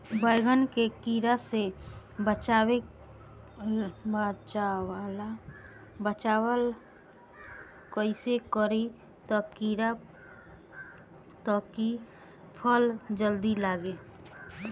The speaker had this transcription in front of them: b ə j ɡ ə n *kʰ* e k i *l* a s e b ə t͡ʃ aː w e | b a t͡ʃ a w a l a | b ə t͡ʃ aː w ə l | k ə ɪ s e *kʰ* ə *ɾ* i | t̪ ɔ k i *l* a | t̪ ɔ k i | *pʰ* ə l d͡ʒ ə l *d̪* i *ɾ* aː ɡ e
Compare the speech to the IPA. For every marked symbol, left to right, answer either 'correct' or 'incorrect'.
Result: incorrect, incorrect, incorrect, correct, incorrect, correct, correct, incorrect

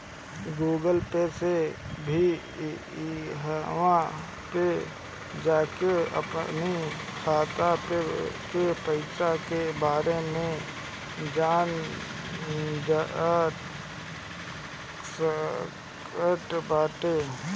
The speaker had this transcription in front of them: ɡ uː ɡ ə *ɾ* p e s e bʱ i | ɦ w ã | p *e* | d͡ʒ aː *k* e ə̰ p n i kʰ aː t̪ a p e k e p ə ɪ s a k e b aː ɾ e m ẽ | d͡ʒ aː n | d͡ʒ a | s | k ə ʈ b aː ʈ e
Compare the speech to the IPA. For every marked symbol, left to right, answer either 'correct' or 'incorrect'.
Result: incorrect, correct, correct

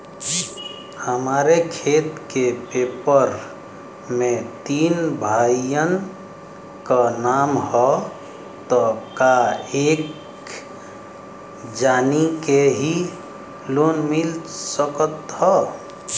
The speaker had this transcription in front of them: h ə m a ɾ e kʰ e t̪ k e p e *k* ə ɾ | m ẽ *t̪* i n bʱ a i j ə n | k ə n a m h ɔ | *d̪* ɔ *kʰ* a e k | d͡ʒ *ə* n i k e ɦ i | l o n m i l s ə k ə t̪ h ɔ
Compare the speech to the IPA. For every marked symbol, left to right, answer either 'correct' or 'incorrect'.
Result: incorrect, correct, incorrect, incorrect, incorrect

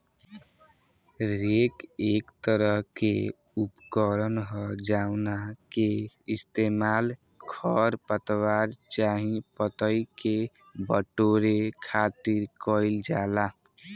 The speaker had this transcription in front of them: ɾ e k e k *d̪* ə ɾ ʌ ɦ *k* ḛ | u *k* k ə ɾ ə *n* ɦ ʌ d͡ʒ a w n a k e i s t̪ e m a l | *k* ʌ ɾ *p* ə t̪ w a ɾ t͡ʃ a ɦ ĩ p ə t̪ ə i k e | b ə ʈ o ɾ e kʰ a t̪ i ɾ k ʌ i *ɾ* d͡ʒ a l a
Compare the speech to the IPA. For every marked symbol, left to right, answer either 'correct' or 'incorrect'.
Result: incorrect, correct, incorrect, correct, incorrect, correct, incorrect

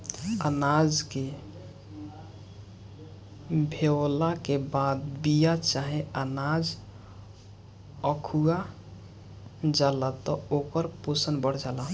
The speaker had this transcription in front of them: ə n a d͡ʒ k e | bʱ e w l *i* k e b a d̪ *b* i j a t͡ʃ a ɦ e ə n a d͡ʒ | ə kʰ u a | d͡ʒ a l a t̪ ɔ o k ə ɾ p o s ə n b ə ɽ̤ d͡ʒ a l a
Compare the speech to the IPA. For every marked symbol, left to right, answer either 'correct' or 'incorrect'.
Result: incorrect, correct

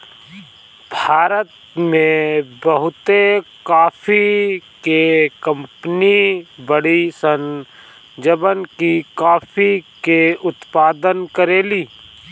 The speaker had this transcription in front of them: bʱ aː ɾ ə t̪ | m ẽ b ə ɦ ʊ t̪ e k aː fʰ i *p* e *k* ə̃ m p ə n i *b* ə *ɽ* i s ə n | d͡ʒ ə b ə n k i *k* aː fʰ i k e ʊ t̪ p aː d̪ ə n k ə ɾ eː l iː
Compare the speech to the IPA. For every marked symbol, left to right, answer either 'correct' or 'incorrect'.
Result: incorrect, correct, correct, correct, correct

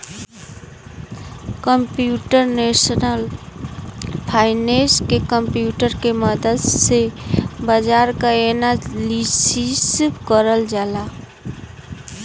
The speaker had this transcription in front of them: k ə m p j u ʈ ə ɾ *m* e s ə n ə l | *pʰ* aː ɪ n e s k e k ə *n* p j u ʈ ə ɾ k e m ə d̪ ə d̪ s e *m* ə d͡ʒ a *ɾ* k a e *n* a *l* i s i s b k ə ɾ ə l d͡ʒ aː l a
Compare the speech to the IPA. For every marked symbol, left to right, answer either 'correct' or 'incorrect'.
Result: incorrect, correct, incorrect, incorrect, correct, correct, correct

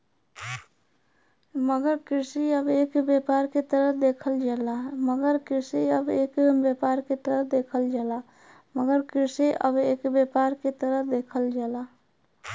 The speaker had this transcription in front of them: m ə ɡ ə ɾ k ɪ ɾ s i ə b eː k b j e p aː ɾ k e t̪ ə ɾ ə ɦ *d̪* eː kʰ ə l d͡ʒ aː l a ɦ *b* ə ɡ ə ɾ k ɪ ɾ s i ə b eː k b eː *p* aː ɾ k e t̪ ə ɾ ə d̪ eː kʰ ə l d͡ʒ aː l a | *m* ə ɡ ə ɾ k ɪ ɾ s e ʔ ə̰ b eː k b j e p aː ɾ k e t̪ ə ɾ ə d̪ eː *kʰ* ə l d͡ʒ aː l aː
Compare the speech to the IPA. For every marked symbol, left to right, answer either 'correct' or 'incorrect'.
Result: correct, incorrect, correct, correct, correct

